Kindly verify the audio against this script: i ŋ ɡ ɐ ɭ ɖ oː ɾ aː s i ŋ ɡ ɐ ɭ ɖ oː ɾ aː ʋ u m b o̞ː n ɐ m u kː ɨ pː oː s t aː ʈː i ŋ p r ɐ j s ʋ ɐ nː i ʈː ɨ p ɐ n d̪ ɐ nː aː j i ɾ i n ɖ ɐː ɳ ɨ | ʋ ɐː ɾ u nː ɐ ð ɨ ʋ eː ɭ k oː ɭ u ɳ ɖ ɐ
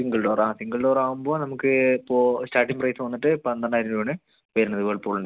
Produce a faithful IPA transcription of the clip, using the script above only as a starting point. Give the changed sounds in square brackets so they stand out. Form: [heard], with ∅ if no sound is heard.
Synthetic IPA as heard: i ŋ ɡ ɐ ɭ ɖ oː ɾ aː s i ŋ ɡ ɐ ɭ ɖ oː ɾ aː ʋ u m b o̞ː n ɐ m u kː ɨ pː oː s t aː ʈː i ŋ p r ɐ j s ʋ ɐ nː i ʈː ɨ p ɐ n d̪ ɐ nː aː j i ɾ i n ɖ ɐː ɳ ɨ | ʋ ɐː ɾ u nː ɐ ð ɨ ʋ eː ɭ [p] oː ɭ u ɳ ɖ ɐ

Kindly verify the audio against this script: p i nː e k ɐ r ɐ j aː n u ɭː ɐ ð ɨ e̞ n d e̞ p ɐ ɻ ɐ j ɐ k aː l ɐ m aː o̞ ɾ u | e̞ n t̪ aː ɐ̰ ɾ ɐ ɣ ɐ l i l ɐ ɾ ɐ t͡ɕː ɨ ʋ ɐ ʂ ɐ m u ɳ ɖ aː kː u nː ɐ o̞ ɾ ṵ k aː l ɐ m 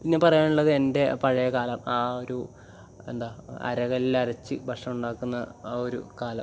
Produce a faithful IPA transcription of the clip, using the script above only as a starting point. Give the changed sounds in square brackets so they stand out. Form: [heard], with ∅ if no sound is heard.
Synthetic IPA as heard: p i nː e [p] ɐ r ɐ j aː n u ɭː ɐ ð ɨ e̞ n d e̞ p ɐ ɻ ɐ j ɐ k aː l ɐ m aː o̞ ɾ u | e̞ n [d̪] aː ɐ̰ ɾ ɐ ɣ ɐ l i l ɐ ɾ ɐ t͡ɕː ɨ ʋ ɐ ʂ ɐ m u ɳ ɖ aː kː u nː ɐ o̞ ɾ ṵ k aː l ɐ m

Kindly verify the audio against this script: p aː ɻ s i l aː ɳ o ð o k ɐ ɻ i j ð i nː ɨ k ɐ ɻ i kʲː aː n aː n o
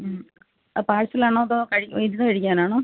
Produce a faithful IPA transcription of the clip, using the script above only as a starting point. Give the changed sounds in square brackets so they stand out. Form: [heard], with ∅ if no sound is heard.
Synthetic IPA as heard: p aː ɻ s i l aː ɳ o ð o k ɐ ɻ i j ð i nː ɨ k ɐ ɻ i kʲː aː n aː [ɳ] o

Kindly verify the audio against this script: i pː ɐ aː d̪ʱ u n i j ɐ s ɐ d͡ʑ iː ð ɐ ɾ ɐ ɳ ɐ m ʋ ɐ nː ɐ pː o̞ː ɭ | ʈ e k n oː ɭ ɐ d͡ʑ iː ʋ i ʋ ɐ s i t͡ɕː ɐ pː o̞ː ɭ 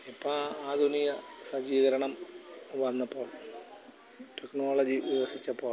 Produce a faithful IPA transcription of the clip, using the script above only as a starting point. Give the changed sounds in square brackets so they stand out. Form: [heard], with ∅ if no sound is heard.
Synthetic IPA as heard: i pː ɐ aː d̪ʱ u n i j ɐ s ɐ d͡ʑ iː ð ɐ ɾ ɐ ɳ ɐ m ʋ ɐ nː ɐ pː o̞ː ɭ | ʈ e k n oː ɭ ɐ d͡ʑ [i] ʋ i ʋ ɐ s i t͡ɕː ɐ pː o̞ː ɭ

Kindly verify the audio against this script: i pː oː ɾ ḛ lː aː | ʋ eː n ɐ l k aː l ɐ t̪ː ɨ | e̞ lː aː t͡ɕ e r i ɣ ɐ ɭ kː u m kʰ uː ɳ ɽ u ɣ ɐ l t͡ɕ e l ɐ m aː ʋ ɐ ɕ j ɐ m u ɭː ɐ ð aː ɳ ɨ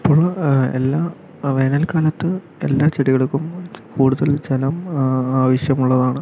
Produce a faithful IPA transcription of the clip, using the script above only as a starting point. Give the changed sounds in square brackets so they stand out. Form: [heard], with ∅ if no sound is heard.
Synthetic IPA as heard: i pː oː [ɭ] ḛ lː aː | ʋ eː n ɐ l k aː l ɐ t̪ː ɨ | e̞ lː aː t͡ɕ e [ɽ] i ɣ ɐ ɭ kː u m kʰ uː [∅] ɽ u [ð] ɐ l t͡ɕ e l ɐ m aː ʋ ɐ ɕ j ɐ m u ɭː ɐ ð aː ɳ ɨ

